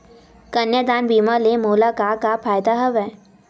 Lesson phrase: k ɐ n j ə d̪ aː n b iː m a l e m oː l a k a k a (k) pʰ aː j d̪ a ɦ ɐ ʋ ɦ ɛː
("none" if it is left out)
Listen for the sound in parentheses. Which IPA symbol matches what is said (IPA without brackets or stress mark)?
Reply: none